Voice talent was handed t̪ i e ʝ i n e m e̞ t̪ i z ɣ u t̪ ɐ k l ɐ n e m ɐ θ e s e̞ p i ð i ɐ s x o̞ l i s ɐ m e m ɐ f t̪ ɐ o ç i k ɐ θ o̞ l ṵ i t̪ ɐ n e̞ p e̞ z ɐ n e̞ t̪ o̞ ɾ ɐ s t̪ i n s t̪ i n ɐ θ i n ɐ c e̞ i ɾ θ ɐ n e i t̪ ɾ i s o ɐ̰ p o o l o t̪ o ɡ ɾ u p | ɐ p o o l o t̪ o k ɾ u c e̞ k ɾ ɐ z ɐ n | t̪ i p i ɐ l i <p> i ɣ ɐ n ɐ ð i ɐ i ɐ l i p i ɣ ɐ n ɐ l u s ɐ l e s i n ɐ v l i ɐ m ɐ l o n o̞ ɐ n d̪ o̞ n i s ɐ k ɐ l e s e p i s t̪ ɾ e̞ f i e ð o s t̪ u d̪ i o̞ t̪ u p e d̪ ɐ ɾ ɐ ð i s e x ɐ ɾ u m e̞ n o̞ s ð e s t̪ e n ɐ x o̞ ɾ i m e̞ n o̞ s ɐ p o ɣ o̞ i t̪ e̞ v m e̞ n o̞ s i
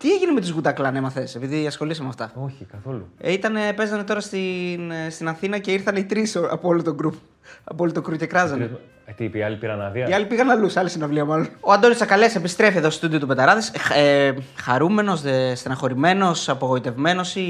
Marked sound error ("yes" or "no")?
no